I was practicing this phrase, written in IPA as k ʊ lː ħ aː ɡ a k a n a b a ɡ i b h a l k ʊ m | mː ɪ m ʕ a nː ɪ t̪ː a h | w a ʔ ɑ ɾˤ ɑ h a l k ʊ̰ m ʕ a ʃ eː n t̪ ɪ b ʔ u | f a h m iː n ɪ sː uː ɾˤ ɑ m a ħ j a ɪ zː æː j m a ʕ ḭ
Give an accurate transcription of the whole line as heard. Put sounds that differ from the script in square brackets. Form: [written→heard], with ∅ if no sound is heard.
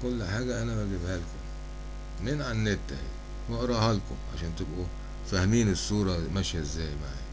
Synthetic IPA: k ʊ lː ħ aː ɡ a [k→ʔ] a n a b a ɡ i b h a l k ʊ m | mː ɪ [m→n] ʕ a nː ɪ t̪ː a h | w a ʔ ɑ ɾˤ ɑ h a l k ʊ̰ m ʕ a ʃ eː n t̪ ɪ b ʔ u | f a h m iː n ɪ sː uː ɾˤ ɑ m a [ħ→ʃ] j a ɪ zː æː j m a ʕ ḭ